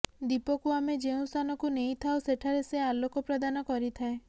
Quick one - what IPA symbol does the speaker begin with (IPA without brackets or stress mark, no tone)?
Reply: d̪